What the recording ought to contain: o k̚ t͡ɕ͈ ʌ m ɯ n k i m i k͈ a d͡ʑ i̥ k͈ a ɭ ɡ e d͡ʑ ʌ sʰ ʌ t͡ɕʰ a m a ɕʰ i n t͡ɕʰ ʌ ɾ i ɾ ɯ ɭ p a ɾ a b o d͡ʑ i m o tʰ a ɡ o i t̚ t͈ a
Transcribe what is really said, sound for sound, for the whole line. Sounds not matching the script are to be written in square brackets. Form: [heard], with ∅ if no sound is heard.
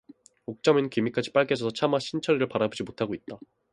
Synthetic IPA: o k̚ t͡ɕ͈ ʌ m ɯ n k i m i k͈ a d͡ʑ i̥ [p͈] a ɭ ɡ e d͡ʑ ʌ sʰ ʌ t͡ɕʰ a m a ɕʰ i n t͡ɕʰ ʌ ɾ i ɾ ɯ ɭ p a ɾ a b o d͡ʑ i m o tʰ a ɡ o i t̚ t͈ a